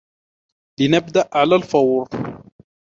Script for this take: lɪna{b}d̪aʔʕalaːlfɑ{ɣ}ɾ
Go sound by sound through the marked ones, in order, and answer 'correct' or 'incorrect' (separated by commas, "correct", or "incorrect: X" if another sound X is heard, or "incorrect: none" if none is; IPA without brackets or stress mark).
correct, incorrect: w